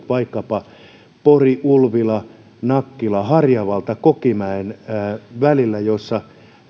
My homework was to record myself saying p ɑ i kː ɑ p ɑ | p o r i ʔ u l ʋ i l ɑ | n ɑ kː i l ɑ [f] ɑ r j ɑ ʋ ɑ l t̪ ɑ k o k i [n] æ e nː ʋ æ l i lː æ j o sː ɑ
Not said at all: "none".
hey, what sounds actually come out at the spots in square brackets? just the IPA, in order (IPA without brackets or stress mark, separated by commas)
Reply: h, m